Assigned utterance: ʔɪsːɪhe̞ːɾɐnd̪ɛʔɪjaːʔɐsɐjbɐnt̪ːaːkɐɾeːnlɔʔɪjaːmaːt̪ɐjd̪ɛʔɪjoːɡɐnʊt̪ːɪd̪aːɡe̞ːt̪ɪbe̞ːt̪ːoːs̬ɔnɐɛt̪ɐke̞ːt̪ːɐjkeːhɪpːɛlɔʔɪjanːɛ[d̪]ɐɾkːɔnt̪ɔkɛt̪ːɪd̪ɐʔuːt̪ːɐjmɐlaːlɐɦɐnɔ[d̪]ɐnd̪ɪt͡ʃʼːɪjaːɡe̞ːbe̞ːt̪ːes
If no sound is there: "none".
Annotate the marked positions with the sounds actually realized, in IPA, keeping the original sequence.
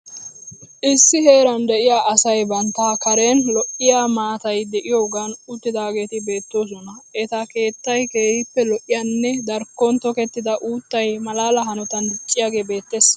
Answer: d̪, t̪

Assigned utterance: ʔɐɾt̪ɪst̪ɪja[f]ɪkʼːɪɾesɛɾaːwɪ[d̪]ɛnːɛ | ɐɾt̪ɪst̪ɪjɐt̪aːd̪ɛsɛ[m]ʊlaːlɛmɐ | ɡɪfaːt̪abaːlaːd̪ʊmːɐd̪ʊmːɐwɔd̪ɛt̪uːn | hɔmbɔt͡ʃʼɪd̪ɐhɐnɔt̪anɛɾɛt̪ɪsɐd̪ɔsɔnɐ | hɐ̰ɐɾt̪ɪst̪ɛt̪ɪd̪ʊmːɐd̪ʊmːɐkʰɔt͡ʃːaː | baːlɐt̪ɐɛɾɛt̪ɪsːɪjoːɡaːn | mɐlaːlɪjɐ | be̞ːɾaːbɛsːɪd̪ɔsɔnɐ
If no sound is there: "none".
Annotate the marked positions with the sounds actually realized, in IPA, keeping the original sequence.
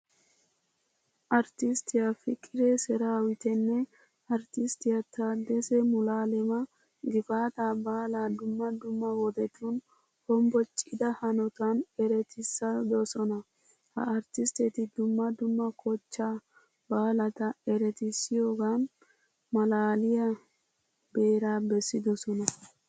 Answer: f, t̪, m

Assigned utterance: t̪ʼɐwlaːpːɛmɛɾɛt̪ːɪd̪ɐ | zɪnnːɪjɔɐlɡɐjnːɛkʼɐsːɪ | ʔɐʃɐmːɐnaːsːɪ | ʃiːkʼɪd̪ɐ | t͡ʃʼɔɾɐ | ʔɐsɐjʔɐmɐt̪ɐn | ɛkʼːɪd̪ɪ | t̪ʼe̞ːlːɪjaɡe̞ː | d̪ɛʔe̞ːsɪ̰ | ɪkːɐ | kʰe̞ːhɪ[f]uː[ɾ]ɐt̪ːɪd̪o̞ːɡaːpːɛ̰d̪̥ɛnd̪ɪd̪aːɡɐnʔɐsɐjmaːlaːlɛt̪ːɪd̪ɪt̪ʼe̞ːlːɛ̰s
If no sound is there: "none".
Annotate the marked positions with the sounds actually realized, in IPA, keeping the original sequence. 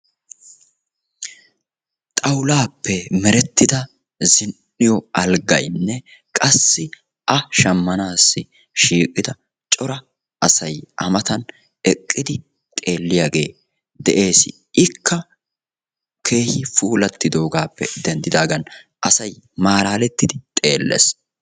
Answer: f, l

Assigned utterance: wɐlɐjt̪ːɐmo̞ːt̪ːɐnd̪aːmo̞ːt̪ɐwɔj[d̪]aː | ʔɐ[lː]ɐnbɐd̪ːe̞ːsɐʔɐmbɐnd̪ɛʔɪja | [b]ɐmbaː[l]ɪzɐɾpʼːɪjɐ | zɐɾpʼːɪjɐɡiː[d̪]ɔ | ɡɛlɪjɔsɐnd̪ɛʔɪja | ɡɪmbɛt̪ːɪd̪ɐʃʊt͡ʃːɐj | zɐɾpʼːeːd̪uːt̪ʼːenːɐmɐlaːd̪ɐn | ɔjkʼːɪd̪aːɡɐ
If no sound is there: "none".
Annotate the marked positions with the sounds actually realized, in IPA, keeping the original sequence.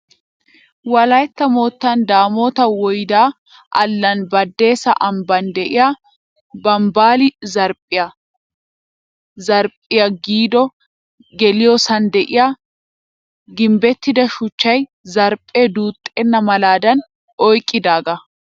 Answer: d̪, lː, b, l, d̪

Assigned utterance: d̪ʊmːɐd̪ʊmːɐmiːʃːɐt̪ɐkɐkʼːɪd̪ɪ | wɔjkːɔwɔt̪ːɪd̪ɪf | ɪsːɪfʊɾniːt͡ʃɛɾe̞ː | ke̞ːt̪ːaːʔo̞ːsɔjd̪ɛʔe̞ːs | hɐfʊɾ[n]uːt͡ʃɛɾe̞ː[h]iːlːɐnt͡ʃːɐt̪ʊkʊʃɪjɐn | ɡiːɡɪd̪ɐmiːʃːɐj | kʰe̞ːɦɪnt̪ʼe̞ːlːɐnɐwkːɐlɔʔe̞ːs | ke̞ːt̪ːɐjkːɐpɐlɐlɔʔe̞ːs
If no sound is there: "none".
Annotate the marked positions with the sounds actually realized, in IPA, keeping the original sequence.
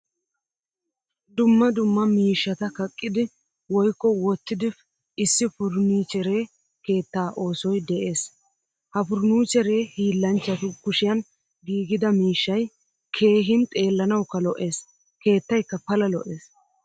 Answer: n, h

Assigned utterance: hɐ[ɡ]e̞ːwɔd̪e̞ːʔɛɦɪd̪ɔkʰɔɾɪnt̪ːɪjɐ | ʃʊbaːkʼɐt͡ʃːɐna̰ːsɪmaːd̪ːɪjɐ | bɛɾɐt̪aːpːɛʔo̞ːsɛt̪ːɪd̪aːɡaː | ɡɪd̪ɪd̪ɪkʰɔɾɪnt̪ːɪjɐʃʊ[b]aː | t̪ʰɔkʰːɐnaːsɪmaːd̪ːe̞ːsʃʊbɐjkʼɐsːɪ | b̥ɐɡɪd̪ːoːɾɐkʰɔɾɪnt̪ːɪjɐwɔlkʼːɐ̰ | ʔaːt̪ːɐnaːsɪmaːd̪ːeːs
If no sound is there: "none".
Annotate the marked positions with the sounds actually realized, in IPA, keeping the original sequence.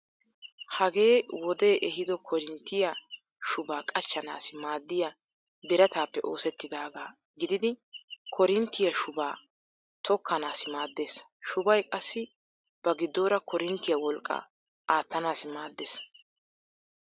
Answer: ɡ, b

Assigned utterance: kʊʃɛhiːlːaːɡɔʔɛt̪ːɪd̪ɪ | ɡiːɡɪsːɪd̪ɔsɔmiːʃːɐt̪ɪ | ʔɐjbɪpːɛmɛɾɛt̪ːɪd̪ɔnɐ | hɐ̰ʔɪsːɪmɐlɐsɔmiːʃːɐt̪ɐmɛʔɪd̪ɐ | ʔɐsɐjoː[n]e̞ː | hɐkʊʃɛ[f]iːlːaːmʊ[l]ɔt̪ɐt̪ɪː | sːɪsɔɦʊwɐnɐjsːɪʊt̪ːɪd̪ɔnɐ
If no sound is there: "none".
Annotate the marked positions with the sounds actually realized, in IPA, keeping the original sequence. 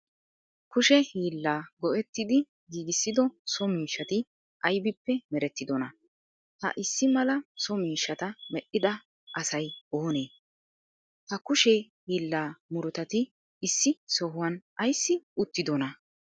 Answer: n, h, ɾ

